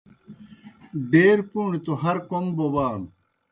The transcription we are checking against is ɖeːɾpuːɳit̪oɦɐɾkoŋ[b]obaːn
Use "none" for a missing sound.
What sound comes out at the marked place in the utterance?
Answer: b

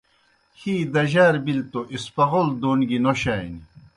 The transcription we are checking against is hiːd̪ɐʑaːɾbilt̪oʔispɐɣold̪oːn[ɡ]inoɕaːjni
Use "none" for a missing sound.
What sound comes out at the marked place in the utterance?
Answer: ɡ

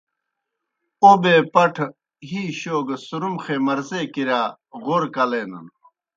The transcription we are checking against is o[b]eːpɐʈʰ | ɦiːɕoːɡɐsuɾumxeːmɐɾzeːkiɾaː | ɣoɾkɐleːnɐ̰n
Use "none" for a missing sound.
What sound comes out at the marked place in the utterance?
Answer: b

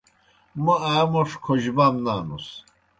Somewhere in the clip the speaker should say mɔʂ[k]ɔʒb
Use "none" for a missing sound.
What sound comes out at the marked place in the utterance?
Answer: kʰ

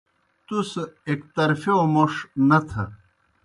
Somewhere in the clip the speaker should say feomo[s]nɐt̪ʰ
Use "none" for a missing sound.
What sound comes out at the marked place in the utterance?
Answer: ʂ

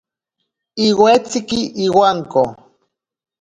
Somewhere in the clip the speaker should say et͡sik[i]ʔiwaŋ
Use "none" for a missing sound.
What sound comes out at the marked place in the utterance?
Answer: i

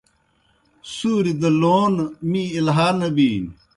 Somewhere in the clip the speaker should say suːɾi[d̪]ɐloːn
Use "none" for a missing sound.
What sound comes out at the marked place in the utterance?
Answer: d̪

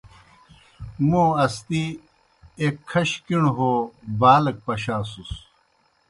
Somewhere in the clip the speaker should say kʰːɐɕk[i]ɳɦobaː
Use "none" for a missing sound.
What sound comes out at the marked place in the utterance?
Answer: i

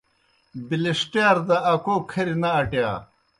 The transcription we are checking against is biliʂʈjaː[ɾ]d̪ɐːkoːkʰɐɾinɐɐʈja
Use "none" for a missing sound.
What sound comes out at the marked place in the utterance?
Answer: ɾ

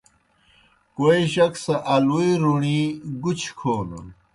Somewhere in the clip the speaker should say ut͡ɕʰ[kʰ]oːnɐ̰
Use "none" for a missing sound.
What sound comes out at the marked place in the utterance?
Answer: kʰ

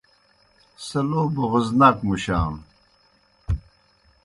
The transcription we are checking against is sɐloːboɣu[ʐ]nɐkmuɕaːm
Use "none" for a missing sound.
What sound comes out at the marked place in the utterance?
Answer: z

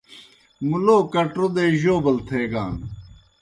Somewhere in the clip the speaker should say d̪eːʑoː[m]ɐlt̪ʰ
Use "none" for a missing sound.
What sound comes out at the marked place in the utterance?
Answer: b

